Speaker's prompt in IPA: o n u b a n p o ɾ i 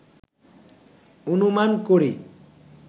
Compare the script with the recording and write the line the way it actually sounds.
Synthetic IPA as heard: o n u m a n k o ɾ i